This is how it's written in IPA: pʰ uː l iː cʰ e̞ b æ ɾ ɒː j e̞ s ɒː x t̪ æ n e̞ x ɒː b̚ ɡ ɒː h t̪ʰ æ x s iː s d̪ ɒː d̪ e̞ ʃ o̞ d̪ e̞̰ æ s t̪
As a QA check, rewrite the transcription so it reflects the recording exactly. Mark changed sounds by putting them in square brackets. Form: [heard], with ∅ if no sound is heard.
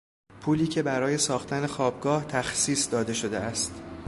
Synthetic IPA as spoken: pʰ uː l iː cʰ e̞ b æ ɾ ɒː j e̞ s ɒː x t̪ æ n e̞ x ɒː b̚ ɡ ɒː h t̪ʰ æ x s iː s d̪ ɒː d̪ e̞ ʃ o̞ d̪ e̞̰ æ s t̪